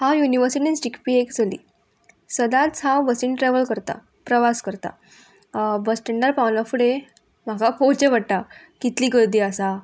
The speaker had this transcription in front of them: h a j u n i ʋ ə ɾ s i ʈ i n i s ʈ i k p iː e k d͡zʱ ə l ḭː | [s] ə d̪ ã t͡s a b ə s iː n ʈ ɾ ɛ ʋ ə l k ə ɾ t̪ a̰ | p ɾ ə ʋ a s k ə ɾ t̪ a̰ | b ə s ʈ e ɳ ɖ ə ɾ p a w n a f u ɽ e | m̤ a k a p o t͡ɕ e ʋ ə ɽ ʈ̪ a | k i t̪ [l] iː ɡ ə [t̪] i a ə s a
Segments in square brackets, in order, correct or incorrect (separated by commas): correct, correct, incorrect